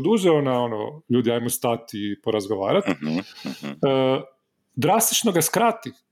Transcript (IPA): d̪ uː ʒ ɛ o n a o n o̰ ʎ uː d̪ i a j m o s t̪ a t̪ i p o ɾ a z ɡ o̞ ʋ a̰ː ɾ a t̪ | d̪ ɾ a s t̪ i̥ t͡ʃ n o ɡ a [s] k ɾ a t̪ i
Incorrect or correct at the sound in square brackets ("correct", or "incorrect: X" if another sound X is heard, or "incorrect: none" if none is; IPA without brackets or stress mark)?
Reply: correct